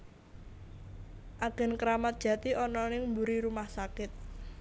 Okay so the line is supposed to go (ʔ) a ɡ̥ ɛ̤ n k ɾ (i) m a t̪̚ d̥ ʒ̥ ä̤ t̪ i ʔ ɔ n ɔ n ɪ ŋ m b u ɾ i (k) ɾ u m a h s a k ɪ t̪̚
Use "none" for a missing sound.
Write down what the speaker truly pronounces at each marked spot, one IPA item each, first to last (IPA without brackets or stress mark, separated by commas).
ʔ, a, none